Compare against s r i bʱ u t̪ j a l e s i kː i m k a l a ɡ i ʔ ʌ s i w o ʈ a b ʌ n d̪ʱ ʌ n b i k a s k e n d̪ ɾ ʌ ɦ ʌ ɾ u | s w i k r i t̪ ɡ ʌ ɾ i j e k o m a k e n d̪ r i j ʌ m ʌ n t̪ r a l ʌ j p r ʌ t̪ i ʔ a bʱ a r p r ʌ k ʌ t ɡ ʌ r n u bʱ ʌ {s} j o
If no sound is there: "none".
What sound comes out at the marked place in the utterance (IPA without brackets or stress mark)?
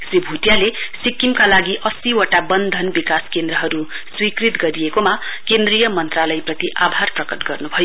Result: none